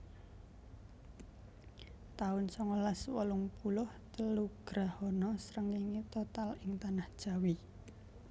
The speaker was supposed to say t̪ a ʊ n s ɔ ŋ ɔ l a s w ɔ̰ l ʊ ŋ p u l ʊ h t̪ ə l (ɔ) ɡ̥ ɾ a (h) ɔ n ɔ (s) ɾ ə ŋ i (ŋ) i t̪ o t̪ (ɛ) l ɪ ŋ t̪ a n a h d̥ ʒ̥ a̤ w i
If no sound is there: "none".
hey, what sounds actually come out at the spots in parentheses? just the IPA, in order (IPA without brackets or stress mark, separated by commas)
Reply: u, h, s, ŋ, a